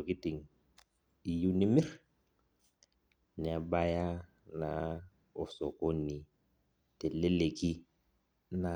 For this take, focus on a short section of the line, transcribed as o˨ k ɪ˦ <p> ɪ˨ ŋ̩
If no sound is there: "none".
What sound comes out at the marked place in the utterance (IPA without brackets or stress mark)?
t